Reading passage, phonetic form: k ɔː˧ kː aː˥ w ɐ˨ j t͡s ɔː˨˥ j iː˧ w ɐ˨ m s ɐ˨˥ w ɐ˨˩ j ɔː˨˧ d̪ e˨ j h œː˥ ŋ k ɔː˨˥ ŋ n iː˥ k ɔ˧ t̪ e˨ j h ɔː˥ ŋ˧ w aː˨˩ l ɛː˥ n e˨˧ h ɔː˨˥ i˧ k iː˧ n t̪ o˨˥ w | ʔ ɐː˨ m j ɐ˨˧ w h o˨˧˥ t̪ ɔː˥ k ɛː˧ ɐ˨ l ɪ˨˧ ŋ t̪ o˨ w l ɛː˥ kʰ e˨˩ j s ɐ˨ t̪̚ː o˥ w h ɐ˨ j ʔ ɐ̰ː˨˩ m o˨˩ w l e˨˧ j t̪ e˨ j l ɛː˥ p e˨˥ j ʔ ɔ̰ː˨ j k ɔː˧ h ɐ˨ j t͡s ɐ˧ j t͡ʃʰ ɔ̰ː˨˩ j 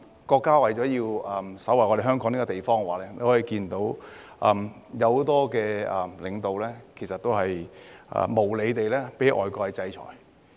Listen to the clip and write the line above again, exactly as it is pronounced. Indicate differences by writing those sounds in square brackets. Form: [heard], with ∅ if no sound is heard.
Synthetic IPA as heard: k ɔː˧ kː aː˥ w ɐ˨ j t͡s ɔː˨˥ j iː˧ w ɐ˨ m s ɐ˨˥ w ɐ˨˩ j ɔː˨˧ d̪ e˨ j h œː˥ ŋ k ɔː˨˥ ŋ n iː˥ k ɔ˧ t̪ e˨ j [f] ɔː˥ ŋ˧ w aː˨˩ l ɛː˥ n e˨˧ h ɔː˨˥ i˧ k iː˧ n t̪ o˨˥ w | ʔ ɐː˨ m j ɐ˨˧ w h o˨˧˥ t̪ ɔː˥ k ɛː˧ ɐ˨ l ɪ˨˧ ŋ t̪ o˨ w l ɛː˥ kʰ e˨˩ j s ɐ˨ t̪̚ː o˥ w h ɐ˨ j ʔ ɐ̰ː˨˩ m o˨˩ w l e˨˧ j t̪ e˨ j l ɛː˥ p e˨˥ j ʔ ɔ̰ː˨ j k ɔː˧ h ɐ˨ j t͡s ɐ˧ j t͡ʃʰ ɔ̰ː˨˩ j

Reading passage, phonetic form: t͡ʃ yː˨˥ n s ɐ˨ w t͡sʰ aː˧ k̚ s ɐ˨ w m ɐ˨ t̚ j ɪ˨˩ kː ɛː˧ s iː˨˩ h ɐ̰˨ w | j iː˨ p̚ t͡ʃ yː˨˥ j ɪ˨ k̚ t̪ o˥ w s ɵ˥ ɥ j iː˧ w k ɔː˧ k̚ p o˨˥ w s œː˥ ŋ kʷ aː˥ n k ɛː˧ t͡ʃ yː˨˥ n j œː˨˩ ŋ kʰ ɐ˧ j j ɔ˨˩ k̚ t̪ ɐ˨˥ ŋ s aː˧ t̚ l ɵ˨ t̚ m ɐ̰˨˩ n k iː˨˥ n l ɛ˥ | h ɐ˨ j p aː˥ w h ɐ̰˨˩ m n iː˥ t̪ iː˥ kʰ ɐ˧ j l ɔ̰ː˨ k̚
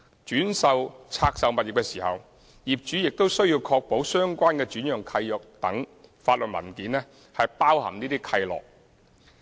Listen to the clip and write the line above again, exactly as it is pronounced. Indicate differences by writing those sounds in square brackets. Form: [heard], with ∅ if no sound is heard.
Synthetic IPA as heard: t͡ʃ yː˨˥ n s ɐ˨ w t͡sʰ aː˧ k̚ s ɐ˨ w m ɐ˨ t̚ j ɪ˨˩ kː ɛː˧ s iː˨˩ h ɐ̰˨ w | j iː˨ p̚ t͡ʃ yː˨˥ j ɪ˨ k̚ t̪ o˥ w s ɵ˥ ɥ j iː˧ w [kʰ] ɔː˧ k̚ p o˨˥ w s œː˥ ŋ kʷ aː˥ n k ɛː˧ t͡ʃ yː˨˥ n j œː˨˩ ŋ kʰ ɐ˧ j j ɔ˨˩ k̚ t̪ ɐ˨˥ ŋ [f] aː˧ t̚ l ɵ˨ t̚ m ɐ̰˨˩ n k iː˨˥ n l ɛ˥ | h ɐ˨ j p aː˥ w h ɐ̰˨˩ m n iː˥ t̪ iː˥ kʰ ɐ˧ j l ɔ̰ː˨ k̚

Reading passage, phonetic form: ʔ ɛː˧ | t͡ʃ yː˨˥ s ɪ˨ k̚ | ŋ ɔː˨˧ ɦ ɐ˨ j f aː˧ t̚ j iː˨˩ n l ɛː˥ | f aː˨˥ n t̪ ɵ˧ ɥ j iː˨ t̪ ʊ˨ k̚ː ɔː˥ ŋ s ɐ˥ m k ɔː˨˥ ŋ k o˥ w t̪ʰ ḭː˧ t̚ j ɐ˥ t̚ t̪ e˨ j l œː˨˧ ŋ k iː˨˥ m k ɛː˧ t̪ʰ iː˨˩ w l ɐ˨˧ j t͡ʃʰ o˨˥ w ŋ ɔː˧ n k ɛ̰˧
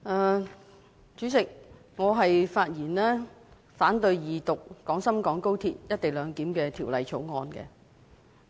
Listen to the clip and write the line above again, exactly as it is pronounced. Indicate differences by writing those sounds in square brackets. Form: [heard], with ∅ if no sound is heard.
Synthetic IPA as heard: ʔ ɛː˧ | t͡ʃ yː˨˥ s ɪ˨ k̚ | ŋ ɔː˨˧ ɦ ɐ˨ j f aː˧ t̚ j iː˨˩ n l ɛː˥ | f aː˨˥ n t̪ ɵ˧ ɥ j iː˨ t̪ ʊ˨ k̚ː [ɔː˨˥] ŋ s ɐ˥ m k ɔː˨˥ ŋ k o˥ w t̪ʰ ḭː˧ t̚ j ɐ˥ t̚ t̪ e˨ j l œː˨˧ ŋ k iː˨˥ m k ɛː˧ t̪ʰ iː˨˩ w l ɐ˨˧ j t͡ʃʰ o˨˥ w ŋ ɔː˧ n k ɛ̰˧

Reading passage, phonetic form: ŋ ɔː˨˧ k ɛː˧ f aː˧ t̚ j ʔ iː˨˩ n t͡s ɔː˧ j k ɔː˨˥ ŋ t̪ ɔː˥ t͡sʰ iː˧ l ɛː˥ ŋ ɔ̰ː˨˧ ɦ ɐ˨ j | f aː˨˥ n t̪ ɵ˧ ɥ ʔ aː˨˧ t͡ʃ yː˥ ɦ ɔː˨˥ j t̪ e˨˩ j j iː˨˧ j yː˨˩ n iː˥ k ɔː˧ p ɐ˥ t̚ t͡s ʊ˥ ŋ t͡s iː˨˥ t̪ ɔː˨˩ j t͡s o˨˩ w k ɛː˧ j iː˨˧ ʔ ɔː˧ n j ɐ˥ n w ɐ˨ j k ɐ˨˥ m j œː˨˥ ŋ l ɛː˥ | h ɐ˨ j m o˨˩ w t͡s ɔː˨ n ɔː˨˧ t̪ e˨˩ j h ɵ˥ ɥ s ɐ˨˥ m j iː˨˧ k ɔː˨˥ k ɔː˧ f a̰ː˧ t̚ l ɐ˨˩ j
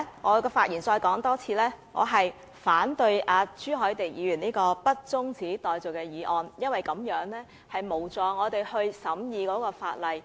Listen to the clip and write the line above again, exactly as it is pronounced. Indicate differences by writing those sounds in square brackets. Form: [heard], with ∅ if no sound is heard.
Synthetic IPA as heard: ŋ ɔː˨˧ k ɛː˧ f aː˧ t̚ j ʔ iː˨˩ n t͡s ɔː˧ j k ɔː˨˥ ŋ t̪ ɔː˥ t͡sʰ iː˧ l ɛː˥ ŋ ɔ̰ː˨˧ ɦ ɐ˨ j | f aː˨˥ n t̪ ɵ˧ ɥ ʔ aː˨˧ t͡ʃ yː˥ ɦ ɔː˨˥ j t̪ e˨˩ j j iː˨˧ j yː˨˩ n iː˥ k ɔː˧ p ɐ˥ t̚ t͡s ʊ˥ ŋ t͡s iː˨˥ t̪ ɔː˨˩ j t͡s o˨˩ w k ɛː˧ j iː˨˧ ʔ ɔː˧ n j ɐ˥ n w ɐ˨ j k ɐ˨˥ m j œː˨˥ ŋ l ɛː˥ | h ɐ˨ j m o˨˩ w t͡s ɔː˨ [ŋ] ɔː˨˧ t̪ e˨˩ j h [ɵ˧] ɥ s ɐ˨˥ m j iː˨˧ k ɔː˨˥ k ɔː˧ f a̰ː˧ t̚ l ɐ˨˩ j

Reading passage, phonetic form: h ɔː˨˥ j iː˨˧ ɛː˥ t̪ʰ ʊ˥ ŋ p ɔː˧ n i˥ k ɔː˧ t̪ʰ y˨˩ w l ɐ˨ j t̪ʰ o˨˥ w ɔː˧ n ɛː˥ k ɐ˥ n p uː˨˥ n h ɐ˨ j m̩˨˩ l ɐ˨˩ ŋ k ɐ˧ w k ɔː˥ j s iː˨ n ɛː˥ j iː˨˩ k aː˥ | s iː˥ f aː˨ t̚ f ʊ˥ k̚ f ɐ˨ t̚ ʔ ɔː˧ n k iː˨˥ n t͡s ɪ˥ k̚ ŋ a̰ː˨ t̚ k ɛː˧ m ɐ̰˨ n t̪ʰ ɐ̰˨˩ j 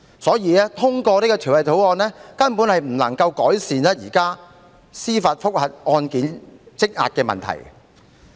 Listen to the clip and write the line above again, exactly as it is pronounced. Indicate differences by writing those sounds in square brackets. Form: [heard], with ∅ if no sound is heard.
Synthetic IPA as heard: [s] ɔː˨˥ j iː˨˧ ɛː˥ t̪ʰ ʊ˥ ŋ [k] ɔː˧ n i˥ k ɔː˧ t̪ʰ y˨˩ w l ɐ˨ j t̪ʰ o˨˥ w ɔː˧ n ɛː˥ k ɐ˥ n p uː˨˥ n h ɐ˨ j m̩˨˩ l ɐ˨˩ ŋ k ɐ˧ w k [ɔː˨˥] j s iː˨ n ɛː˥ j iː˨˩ k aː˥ | s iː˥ f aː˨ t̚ f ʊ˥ k̚ [h] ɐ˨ t̚ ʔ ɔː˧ n k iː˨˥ n t͡s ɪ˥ k̚ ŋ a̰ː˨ t̚ k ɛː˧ m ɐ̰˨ n t̪ʰ ɐ̰˨˩ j

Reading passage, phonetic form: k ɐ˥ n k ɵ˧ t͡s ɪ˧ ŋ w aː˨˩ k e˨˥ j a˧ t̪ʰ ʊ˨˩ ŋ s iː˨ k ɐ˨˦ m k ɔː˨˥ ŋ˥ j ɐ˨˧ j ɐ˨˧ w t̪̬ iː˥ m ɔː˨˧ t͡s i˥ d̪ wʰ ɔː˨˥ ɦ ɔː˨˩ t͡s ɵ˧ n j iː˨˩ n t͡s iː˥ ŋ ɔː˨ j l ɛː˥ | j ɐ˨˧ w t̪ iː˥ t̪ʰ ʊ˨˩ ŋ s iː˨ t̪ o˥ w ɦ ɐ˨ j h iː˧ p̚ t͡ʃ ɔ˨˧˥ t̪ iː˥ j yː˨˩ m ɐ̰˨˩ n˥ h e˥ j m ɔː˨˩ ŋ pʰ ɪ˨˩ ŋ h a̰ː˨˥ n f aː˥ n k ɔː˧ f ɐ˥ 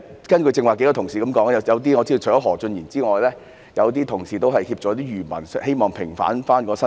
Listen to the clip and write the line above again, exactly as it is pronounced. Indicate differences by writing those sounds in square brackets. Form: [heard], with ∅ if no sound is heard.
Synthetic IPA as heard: k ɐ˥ n k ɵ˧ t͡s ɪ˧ ŋ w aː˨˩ k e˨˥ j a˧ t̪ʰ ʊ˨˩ ŋ s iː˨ k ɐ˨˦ m k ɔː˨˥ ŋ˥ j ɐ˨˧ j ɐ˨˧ w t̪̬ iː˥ [ŋ] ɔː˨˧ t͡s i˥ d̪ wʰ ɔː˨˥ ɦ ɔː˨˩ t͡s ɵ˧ n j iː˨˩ n t͡s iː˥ ŋ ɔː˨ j l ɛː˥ | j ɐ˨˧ w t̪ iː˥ t̪ʰ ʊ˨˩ ŋ s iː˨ t̪ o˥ w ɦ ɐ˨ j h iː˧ p̚ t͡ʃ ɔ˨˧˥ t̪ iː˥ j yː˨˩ m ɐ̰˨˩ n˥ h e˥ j m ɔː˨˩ ŋ pʰ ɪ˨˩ ŋ [f] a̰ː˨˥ n f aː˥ n k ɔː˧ [s] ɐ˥

